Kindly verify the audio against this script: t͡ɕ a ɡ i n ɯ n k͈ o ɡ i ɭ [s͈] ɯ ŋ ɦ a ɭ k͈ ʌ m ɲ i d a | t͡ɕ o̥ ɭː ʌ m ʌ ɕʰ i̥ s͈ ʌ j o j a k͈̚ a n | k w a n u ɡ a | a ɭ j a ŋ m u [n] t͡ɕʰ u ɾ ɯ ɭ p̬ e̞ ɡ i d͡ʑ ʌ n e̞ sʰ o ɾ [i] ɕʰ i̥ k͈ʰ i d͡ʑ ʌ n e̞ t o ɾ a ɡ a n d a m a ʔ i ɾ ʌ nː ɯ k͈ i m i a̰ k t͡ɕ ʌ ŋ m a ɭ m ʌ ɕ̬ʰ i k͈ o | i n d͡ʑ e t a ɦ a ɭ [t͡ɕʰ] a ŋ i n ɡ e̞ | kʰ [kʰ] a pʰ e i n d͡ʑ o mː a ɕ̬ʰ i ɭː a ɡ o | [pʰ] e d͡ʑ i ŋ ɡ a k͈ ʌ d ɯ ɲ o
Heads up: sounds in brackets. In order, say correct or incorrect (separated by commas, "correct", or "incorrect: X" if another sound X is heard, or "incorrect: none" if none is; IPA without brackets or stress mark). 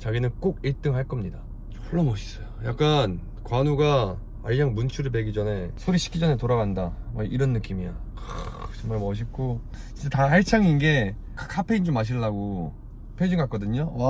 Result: incorrect: t͈, correct, correct, correct, correct, correct